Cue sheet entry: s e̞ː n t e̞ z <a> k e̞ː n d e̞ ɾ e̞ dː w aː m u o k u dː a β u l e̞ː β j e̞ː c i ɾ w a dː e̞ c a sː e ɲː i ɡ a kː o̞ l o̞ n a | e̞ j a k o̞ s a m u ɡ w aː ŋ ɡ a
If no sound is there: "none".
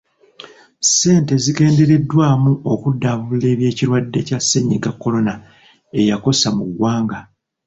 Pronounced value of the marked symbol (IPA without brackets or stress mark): i